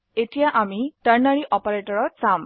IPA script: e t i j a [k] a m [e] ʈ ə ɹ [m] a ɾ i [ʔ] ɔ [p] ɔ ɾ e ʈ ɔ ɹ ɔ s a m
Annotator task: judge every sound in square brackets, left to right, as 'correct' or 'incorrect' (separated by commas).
incorrect, incorrect, incorrect, correct, correct